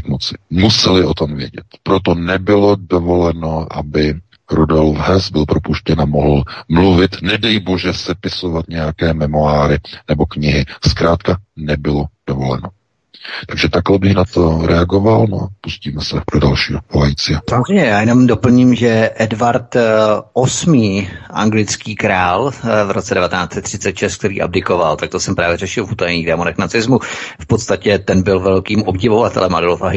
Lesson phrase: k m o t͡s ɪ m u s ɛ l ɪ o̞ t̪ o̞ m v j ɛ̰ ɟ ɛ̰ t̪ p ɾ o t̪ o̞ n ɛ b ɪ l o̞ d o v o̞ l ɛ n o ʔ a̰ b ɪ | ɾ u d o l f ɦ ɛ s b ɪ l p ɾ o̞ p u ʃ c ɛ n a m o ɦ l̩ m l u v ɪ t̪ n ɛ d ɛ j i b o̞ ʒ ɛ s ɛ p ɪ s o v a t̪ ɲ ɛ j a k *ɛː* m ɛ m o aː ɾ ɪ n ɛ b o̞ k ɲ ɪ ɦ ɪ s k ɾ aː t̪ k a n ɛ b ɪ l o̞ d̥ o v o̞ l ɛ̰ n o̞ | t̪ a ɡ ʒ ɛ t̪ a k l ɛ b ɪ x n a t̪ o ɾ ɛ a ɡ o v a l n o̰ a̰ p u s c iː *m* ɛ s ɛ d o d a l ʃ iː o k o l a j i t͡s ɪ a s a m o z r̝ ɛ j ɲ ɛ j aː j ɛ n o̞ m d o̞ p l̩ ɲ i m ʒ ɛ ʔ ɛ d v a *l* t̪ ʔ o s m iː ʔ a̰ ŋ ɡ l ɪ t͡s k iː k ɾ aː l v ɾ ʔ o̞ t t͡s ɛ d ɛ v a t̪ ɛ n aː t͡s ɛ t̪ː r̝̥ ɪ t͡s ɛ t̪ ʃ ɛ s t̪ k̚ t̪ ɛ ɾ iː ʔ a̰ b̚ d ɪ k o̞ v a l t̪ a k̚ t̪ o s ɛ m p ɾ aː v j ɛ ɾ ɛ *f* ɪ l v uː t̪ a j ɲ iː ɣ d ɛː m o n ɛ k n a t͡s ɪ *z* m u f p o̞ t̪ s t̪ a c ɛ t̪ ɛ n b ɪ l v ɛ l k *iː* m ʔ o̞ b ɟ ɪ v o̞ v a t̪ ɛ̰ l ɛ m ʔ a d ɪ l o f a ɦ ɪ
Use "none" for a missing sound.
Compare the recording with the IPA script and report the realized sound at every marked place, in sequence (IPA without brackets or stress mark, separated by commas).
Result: ɛː, m, ɾ, ʃ, z, iː